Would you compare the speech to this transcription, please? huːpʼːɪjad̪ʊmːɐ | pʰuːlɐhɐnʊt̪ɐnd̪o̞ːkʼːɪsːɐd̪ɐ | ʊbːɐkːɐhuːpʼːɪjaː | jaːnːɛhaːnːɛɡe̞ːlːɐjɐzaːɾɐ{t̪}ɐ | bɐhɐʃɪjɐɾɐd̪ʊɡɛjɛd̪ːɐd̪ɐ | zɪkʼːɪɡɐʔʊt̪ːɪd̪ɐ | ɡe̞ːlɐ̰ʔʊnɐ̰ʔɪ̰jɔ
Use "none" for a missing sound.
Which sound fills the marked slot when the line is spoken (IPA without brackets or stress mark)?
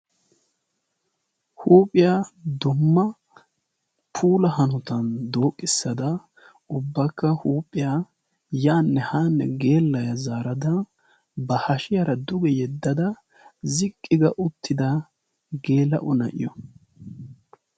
d̪